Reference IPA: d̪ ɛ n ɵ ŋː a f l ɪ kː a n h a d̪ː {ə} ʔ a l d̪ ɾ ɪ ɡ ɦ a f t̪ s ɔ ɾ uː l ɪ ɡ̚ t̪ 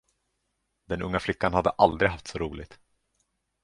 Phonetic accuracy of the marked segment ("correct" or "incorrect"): correct